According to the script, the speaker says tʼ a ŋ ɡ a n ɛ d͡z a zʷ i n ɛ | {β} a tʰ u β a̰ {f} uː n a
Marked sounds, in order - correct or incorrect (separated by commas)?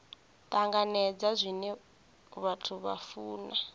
correct, correct